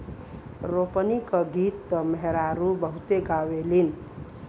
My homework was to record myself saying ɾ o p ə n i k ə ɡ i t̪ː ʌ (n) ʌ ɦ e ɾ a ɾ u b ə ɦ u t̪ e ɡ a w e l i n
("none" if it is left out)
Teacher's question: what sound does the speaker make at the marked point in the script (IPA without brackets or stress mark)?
m